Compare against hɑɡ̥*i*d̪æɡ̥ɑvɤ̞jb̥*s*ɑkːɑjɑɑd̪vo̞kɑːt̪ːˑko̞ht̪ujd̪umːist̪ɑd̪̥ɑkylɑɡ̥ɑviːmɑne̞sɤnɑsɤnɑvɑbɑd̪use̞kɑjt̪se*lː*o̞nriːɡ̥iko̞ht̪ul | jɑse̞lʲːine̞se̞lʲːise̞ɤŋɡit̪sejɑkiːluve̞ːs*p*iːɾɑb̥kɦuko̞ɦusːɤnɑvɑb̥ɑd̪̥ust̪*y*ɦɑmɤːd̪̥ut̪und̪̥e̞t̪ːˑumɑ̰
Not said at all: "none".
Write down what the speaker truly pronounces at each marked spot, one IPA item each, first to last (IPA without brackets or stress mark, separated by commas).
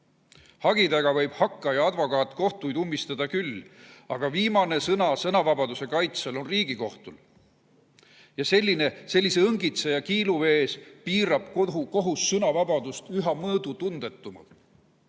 i, h, l, p, y